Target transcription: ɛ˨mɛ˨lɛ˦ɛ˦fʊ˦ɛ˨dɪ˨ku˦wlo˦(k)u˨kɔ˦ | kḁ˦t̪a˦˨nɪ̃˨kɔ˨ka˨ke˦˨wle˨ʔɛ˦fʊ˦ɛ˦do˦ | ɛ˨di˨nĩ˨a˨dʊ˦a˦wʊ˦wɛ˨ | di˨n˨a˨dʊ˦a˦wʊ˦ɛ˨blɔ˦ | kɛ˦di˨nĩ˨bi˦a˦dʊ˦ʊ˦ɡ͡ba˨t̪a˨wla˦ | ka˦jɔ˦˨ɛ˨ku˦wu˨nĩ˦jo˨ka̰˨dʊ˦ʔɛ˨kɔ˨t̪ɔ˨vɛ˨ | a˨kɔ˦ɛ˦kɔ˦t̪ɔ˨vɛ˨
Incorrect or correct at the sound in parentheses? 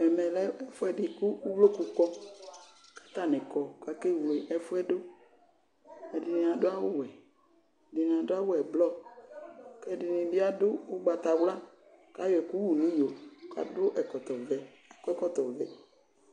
correct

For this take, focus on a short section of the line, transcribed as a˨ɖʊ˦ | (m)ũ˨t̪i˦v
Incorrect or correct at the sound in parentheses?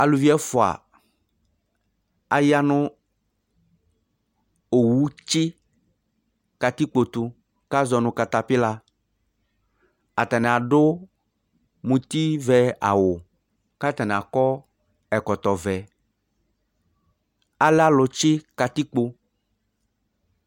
correct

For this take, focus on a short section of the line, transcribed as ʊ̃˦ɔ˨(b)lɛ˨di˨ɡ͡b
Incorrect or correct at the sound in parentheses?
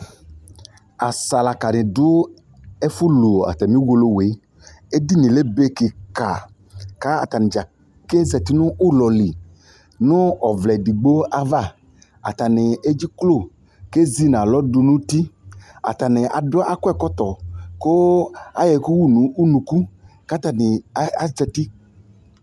incorrect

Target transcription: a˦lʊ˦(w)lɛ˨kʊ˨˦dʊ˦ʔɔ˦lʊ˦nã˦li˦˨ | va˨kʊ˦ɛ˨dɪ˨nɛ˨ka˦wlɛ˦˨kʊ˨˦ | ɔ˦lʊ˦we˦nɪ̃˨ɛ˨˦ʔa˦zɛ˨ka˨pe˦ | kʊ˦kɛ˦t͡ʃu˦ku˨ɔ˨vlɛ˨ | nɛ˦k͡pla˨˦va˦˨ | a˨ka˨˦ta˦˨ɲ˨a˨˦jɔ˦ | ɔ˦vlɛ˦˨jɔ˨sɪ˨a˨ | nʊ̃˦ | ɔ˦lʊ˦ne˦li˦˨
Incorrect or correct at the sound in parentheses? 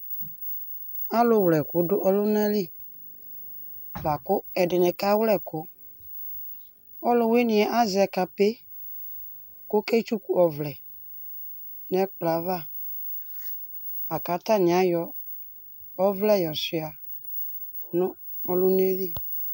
correct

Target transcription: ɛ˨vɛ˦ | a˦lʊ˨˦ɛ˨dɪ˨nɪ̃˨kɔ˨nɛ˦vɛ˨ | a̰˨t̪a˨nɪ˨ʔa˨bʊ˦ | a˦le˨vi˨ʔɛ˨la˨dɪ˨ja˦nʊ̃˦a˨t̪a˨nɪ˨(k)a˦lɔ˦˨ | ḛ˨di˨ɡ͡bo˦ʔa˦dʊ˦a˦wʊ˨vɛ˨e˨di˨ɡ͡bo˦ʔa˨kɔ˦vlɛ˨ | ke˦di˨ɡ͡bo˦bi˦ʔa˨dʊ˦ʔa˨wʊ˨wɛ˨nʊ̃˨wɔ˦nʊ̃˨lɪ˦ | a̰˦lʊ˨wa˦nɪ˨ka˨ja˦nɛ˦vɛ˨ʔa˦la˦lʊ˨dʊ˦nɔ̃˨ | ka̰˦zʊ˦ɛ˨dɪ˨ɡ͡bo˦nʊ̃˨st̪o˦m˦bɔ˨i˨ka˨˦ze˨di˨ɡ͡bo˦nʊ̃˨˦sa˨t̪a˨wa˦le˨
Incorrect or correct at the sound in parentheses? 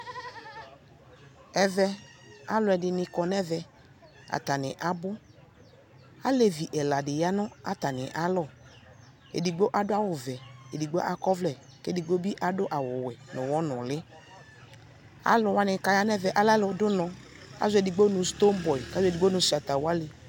incorrect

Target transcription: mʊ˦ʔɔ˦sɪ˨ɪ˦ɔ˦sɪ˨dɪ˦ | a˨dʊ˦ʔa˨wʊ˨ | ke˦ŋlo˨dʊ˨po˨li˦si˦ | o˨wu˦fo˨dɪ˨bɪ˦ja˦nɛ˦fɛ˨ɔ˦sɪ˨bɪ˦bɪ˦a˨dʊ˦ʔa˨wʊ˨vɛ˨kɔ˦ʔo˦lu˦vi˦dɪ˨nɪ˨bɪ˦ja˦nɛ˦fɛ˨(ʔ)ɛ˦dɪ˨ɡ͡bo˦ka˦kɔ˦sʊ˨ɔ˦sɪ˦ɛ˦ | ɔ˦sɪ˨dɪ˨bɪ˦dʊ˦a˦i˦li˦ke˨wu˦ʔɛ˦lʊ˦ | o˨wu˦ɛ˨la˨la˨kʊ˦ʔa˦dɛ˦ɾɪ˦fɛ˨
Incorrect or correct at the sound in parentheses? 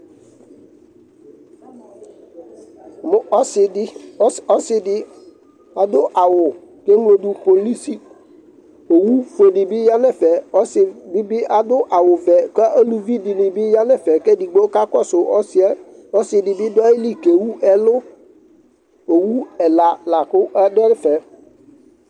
incorrect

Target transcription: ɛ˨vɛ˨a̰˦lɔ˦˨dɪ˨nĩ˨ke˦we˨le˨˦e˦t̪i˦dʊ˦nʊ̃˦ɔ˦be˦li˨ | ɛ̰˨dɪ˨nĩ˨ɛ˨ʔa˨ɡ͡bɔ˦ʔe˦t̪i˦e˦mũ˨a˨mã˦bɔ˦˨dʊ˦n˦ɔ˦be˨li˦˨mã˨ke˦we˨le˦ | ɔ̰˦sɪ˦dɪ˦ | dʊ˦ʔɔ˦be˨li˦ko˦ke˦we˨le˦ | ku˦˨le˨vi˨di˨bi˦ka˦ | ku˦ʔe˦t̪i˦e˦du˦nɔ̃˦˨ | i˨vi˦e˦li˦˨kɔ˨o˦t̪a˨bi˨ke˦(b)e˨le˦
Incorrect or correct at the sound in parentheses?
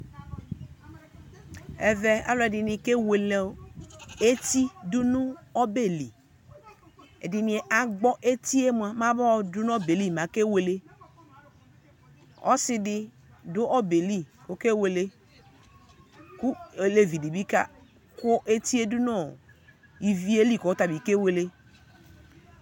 incorrect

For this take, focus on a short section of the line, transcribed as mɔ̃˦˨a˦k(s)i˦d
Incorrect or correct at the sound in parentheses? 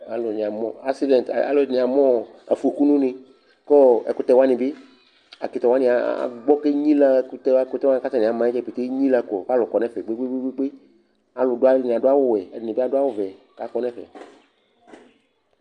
correct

